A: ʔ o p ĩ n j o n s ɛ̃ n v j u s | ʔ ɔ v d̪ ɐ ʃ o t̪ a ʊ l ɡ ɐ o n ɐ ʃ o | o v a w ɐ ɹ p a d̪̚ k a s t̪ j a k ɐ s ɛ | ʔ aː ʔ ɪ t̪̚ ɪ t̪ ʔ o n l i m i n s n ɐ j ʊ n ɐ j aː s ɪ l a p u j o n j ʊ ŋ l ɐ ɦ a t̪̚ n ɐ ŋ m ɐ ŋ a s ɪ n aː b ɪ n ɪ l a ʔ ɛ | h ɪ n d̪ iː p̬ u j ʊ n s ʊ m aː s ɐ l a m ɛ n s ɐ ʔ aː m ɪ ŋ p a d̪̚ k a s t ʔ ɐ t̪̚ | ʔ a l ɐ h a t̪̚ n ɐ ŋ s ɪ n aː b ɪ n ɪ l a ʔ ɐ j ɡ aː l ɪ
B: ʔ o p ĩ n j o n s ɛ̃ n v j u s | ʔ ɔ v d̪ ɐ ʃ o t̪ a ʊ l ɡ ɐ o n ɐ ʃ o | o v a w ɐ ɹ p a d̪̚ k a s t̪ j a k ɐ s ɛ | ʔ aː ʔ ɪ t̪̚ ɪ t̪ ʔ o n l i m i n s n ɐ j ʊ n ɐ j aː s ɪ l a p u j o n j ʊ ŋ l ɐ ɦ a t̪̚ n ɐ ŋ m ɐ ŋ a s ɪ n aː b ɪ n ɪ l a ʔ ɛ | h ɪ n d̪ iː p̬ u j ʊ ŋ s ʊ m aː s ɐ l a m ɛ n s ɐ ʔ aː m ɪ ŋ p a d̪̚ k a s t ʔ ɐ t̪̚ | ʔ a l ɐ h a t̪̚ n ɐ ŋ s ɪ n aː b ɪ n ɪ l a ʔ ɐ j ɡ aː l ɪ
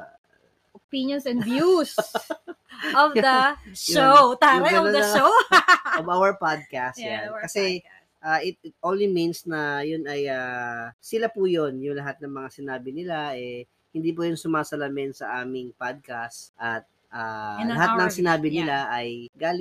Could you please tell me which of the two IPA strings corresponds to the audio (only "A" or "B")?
A